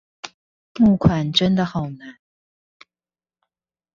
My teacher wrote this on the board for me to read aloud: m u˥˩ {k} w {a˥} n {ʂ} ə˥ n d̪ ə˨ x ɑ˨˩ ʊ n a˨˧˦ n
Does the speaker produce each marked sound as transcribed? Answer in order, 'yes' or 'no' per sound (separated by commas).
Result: no, no, no